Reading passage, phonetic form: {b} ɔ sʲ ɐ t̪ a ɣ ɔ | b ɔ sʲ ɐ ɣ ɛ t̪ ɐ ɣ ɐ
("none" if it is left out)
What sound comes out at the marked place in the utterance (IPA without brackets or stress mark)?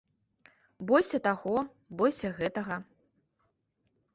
b